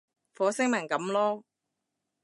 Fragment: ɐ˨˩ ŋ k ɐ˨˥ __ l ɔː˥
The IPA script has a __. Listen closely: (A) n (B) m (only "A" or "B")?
B